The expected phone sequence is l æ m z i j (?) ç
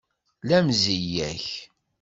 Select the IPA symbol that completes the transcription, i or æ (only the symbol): æ